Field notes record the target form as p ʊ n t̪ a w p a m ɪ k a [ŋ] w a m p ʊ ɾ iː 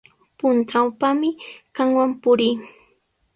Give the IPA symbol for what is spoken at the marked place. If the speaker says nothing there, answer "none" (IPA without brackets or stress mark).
ŋ